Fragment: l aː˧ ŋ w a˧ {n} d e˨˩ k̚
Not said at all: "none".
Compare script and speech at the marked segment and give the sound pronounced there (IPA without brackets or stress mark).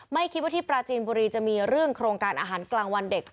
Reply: n